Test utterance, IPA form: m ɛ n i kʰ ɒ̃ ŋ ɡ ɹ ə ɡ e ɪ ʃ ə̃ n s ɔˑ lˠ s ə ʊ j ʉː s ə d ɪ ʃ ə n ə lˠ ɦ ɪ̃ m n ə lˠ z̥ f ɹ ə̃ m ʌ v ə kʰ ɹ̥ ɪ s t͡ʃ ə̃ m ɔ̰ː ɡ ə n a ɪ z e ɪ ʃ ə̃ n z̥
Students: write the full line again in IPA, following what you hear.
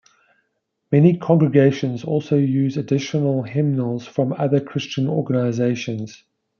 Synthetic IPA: m ɛ n i kʰ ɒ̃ ŋ ɡ ɹ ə ɡ e ɪ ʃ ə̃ n z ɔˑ lˠ s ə ʊ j ʉː z ə d ɪ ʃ ə n ə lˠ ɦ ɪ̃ m n ə lˠ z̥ f ɹ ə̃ m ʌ ð ə kʰ ɹ̥ ɪ s t͡ʃ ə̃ n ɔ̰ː ɡ ə n a ɪ z e ɪ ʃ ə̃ n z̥

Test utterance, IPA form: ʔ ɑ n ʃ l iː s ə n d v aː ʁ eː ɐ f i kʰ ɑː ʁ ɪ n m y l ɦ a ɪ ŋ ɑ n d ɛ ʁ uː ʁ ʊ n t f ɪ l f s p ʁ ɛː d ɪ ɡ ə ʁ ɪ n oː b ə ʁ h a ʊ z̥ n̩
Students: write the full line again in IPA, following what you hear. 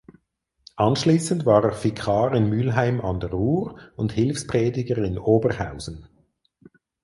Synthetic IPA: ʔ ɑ n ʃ l iː s ə n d v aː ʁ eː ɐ f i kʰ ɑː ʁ ɪ n m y l ɦ a ɪ m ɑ n d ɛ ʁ uː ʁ ʊ n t h ɪ l f s p ʁ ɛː d ɪ ɡ ə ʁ ɪ n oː b ə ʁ h a ʊ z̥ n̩

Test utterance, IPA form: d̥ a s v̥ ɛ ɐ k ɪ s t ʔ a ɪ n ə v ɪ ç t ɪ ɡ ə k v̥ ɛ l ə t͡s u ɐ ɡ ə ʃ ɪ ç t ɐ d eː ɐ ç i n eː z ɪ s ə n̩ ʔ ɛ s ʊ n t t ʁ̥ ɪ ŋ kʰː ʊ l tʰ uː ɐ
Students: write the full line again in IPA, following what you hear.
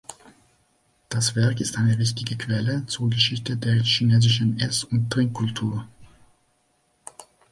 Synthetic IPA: d̥ a s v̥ ɛ ɐ k ɪ s t ʔ a ɪ n ə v ɪ ç t ɪ ɡ ə k v̥ ɛ l ə t͡s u ɐ ɡ ə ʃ ɪ ç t ə d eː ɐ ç i n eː z ɪ ʃ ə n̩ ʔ ɛ s ʊ n t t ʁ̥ ɪ ŋ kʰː ʊ l tʰ uː ɐ

